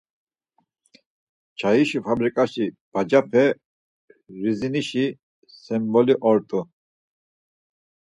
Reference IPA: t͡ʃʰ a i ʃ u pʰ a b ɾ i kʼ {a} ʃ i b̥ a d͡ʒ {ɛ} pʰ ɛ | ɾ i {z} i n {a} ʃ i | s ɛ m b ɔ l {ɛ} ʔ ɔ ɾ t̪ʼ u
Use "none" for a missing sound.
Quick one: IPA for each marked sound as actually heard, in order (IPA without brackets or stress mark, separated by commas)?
a, a, z, i, i